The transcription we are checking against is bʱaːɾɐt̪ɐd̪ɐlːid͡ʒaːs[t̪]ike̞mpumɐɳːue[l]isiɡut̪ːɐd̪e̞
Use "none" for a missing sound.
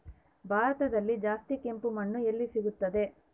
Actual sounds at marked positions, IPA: t̪, lː

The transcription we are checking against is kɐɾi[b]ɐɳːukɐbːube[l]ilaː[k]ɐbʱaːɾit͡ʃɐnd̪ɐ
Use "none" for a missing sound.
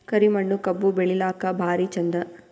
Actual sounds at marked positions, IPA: m, ɭ, k

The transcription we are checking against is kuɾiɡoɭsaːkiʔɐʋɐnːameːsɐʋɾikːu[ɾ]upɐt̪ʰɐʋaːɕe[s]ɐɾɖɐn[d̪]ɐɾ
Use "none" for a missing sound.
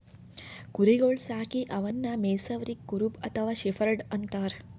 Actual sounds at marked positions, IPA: ɾ, f, t̪

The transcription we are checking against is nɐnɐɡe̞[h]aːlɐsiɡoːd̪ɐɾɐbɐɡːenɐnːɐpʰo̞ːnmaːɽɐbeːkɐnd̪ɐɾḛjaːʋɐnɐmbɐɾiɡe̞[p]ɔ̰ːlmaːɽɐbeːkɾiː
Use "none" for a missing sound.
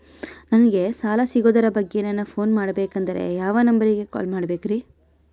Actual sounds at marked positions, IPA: s, k

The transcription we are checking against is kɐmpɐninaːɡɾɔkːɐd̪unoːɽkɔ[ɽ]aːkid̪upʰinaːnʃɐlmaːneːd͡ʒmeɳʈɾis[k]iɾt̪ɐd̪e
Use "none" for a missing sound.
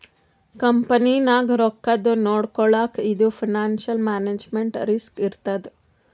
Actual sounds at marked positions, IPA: ɭ, k

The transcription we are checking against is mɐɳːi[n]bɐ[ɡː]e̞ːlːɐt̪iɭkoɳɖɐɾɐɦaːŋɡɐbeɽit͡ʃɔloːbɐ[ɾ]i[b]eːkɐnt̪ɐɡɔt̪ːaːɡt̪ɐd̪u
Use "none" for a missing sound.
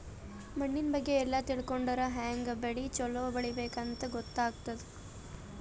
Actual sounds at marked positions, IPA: n, ɡː, ɭ, b

